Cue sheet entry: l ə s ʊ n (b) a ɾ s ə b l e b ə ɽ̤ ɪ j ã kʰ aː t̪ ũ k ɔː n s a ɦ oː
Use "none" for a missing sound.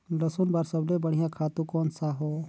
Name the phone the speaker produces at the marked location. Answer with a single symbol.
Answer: b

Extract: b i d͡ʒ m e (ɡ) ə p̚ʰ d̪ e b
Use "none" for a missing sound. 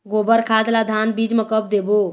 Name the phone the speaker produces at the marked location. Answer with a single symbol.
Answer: k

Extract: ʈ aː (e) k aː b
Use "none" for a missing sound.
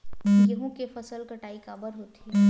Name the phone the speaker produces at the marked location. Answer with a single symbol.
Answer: i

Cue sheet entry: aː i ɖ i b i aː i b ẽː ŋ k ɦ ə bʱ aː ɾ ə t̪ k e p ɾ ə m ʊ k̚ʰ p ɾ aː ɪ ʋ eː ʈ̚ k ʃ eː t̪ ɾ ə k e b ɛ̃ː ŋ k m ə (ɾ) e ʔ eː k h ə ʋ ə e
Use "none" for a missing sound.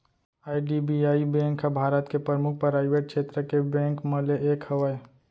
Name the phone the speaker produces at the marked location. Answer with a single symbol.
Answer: l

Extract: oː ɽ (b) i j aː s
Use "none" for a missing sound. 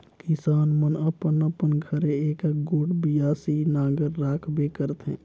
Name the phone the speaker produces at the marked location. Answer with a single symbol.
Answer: b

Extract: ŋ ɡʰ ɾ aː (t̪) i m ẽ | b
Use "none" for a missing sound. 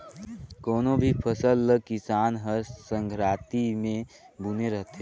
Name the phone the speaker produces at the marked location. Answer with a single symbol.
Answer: t̪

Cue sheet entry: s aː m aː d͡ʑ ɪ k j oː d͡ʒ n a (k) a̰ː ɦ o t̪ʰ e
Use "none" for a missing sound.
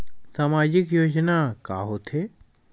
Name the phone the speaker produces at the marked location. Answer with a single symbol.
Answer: k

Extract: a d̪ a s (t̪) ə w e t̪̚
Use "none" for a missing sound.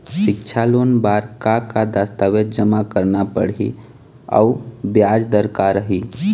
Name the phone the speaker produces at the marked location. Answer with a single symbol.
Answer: t̪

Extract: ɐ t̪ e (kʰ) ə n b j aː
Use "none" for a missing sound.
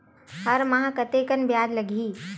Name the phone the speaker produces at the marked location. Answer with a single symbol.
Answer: k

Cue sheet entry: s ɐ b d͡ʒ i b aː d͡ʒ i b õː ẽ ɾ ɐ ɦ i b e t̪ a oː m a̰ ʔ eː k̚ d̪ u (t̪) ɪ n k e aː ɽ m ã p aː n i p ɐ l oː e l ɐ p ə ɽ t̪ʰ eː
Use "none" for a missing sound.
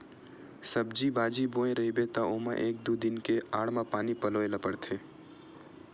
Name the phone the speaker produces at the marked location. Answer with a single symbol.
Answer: d̪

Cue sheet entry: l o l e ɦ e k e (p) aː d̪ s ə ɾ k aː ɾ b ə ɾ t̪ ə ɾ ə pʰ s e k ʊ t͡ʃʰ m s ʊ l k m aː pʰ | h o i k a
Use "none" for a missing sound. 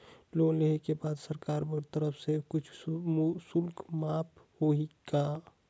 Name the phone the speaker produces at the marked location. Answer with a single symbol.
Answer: b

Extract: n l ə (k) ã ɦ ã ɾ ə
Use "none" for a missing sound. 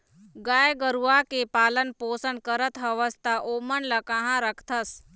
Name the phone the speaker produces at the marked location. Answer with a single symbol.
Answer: k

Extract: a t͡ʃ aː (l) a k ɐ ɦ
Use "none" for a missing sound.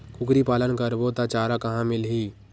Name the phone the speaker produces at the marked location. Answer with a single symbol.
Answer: ɾ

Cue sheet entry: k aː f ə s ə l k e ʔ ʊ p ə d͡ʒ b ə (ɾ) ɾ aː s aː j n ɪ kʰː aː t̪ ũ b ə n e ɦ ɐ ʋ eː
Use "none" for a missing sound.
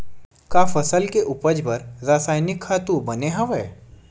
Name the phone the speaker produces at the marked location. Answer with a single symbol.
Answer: ɾ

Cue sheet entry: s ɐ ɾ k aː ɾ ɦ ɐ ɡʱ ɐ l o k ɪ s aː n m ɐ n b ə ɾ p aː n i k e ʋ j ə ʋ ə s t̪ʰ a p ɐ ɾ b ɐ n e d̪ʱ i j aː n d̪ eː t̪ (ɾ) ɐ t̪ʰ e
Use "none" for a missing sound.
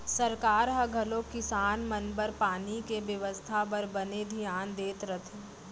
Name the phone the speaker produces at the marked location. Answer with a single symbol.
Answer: ɾ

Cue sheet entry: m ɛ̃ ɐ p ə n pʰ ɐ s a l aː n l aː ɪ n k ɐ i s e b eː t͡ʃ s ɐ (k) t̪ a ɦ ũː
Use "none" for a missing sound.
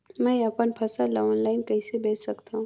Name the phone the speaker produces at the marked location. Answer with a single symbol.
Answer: k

